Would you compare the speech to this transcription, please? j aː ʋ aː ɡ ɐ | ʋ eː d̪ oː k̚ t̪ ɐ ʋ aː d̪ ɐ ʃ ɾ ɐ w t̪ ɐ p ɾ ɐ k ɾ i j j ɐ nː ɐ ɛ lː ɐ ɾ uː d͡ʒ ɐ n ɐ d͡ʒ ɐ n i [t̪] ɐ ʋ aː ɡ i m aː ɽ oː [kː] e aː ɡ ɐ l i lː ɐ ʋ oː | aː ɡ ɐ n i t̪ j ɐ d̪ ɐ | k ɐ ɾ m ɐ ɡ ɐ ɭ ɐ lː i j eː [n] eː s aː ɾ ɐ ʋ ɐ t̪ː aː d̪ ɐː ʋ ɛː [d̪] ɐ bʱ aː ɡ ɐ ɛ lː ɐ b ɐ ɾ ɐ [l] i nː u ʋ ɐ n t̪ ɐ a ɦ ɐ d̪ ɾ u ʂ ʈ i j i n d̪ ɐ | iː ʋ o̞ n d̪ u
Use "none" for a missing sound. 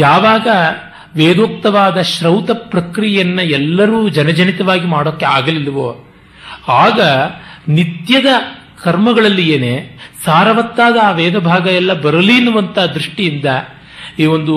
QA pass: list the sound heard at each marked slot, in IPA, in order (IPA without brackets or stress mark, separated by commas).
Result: t̪, kː, n, d̪, l